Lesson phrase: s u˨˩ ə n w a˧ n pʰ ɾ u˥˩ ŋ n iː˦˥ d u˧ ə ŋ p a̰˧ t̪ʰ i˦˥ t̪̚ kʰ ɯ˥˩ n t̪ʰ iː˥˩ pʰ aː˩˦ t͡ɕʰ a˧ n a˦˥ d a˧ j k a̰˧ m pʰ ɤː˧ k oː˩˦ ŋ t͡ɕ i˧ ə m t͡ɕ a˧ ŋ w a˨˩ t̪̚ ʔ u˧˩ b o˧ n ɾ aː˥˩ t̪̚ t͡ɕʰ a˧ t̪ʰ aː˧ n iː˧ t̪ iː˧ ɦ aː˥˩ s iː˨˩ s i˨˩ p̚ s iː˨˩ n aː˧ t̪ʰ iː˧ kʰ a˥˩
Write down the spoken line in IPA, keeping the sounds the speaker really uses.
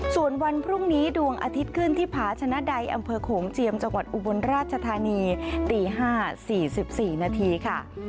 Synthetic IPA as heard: s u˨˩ ə n w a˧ n pʰ ɾ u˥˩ ŋ n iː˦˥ d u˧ ə ŋ ʔ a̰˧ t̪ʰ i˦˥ t̪̚ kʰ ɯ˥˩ n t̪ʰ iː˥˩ pʰ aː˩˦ t͡ɕʰ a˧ n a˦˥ d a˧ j ʔ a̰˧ m pʰ ɤː˧ kʰ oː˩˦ ŋ t͡ɕ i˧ ə m t͡ɕ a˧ ŋ w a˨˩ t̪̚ ʔ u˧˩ b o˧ n ɾ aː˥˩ t̪̚ t͡ɕʰ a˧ t̪ʰ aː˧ n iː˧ t̪ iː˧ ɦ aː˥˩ s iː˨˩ s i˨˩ p̚ s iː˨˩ n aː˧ t̪ʰ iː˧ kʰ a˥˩